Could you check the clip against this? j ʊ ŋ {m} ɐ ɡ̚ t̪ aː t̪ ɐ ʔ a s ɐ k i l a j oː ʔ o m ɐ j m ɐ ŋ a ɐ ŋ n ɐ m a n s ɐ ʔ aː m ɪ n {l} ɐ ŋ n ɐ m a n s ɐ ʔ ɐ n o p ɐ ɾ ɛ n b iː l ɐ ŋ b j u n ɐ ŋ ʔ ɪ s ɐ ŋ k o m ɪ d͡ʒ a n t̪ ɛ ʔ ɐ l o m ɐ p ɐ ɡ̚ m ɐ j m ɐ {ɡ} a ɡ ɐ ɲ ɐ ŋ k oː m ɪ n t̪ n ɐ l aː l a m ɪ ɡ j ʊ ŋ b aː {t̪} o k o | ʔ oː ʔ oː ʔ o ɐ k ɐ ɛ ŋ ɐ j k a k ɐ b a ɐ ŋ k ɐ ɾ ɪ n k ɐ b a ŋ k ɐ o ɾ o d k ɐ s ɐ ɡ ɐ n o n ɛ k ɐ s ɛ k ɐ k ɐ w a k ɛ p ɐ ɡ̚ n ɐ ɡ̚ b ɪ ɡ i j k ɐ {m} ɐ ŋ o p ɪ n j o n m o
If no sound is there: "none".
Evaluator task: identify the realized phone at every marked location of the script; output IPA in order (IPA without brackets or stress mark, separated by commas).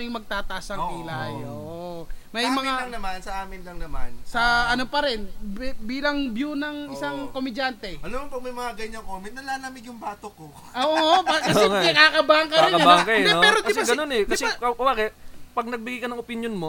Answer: m, l, ŋ, t̪, n